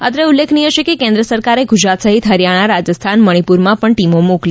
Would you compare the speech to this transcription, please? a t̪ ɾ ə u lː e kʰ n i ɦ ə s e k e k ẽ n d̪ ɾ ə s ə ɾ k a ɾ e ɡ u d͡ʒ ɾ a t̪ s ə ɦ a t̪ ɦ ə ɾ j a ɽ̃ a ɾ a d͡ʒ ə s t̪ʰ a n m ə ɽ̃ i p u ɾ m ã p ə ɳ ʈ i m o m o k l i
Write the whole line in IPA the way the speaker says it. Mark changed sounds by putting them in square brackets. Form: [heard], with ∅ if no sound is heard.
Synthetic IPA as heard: a t̪ ɾ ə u lː e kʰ n i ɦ ə [ʃ] e k e k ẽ n d̪ ɾ ə s ə ɾ k a ɾ e ɡ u d͡ʒ ɾ a t̪ s ə ɦ [i] t̪ ɦ ə ɾ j a ɽ̃ a ɾ a d͡ʒ ə s t̪ʰ a n m ə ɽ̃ i p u ɾ m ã p ə ɳ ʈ i m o m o k l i